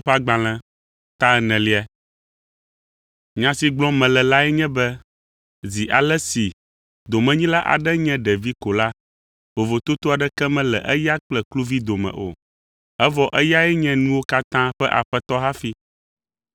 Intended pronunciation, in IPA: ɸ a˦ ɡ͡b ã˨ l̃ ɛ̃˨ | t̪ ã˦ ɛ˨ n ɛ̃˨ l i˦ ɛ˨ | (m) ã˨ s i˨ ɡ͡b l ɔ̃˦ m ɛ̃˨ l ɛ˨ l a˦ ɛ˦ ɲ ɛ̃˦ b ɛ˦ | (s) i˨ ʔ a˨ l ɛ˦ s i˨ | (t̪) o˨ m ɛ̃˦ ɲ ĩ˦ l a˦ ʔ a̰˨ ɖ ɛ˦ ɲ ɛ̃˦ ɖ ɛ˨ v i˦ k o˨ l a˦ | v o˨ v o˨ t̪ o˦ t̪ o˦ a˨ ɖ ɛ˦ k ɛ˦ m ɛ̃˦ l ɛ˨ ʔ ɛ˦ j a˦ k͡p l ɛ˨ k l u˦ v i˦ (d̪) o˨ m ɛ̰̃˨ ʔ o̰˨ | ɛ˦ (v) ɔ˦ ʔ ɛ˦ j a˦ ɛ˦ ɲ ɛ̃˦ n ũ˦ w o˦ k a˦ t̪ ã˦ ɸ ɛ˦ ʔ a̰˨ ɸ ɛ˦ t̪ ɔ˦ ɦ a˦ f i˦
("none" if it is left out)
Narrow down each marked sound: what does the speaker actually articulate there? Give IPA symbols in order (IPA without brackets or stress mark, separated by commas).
ɲ, z, d̪, d̪, v